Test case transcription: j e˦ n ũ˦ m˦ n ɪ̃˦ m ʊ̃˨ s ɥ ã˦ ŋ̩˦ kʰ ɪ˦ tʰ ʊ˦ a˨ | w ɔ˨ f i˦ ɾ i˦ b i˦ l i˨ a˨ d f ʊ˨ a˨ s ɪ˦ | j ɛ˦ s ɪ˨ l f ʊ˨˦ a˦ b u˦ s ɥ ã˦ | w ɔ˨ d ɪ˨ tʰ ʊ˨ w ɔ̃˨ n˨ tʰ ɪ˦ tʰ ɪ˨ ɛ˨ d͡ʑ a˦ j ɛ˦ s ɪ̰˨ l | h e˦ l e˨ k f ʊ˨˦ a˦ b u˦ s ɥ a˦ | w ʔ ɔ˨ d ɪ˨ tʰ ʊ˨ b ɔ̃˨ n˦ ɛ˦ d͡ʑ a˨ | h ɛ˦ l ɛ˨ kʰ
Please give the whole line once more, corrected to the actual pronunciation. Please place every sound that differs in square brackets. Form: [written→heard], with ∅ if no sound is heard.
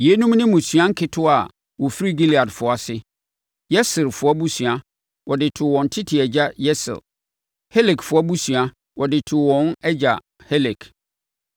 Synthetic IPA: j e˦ n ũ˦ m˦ n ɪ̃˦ m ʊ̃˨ s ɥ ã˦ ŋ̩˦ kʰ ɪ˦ tʰ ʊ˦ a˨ | w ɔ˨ f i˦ ɾ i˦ [b→ɡ] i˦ l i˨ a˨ d f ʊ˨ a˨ s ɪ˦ | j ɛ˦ s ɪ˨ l f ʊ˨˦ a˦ b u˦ s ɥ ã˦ | w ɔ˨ d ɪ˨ tʰ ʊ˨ w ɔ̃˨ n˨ tʰ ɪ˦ tʰ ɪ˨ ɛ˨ d͡ʑ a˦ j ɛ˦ s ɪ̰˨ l | h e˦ l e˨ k f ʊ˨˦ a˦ b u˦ s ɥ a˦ | w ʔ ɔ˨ d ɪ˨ tʰ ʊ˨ [b→w] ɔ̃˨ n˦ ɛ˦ d͡ʑ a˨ | h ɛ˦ l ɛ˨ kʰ